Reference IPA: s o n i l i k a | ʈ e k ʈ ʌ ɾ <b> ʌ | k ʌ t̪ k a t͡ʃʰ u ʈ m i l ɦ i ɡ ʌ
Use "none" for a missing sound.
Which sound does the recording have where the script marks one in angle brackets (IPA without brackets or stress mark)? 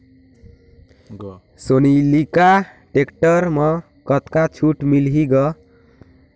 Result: m